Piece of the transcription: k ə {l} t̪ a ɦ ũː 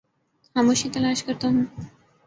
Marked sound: incorrect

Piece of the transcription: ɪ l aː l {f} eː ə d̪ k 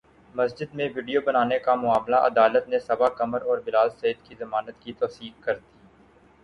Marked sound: incorrect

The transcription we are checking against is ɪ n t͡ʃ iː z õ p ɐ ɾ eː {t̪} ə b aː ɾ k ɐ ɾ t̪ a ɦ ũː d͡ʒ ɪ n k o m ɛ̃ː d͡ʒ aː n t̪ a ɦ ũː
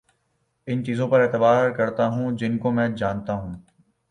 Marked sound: correct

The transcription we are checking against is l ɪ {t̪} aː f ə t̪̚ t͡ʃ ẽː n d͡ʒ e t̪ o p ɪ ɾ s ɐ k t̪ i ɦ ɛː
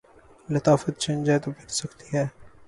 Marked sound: correct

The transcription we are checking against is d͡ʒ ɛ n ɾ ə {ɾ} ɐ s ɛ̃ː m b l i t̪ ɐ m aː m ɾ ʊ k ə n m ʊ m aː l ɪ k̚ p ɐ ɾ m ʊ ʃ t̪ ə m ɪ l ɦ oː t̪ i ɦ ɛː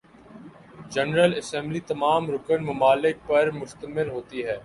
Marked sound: incorrect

